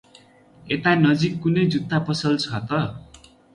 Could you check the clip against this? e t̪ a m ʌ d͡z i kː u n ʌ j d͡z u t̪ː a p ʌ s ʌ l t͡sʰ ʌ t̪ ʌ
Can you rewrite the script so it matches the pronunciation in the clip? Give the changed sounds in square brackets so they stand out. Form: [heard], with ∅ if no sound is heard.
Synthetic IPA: e t̪ a [n] ʌ d͡z i kː u n ʌ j d͡z u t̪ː a p ʌ s ʌ l t͡sʰ ʌ t̪ ʌ